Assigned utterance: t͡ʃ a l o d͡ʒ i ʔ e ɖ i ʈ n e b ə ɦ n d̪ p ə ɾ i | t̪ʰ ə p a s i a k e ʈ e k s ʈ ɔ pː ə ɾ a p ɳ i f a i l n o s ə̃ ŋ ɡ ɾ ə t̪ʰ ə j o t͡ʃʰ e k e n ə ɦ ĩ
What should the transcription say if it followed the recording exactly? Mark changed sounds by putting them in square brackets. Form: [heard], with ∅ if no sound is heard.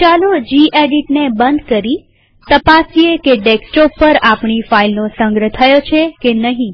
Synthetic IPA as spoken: t͡ʃ a l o d͡ʒ i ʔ e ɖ i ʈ n e b ə [∅] n d̪ [k] ə ɾ i | [t̪] ə p a s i [e] k e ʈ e k s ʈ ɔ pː ə ɾ a p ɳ i f a i l n o s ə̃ ŋ ɡ ɾ ə t̪ʰ ə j o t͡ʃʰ e k e n ə ɦ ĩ